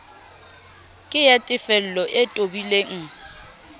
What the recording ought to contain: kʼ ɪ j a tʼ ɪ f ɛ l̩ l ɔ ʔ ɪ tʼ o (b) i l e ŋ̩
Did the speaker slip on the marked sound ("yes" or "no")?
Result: no